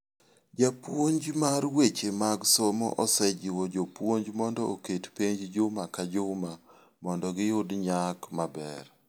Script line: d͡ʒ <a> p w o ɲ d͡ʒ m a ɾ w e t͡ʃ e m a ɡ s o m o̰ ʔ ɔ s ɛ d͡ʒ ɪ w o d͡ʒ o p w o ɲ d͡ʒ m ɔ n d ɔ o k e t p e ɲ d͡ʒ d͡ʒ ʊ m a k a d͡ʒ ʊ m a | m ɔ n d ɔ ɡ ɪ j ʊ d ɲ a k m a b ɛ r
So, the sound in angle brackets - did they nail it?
yes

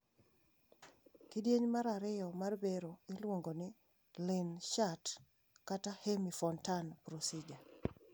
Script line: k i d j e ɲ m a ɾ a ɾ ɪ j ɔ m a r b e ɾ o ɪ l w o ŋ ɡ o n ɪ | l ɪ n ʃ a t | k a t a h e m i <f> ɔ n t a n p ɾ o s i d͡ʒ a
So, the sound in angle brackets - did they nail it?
yes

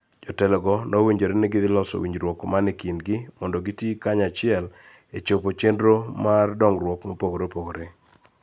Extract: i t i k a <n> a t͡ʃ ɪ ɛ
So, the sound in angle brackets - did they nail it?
no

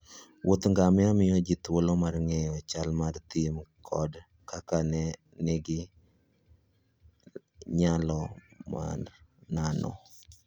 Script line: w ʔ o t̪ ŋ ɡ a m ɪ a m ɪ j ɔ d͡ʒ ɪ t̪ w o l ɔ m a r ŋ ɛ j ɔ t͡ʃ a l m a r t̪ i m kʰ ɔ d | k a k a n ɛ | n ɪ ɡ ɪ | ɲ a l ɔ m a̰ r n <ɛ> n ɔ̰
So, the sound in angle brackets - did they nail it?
no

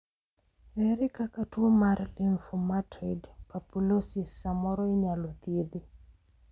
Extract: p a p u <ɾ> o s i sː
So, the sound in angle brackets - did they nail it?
no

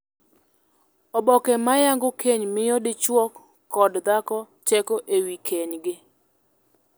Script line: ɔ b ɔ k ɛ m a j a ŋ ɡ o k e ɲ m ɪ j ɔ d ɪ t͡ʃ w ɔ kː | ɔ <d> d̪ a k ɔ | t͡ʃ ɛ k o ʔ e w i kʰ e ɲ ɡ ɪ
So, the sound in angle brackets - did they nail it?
yes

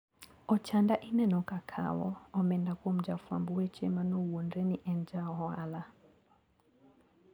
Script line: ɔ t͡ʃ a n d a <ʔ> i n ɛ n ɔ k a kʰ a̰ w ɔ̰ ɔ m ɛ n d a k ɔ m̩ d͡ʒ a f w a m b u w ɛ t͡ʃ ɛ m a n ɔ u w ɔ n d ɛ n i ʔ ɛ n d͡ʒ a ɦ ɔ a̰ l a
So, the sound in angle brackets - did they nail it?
yes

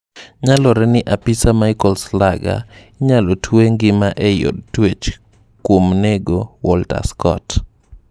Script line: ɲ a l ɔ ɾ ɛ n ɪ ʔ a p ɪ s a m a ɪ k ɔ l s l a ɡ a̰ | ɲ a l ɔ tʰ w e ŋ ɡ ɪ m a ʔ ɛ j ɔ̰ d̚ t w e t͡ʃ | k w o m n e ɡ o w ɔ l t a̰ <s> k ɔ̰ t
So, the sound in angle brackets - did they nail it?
yes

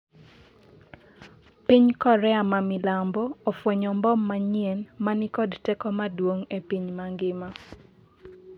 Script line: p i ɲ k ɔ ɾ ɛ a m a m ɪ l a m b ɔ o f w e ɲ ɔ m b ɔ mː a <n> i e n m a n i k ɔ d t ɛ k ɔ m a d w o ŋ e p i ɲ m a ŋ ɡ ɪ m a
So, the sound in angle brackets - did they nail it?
no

